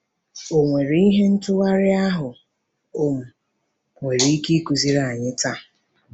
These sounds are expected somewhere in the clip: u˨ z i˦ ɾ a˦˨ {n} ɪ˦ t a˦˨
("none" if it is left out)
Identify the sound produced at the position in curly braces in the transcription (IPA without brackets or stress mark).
ɲ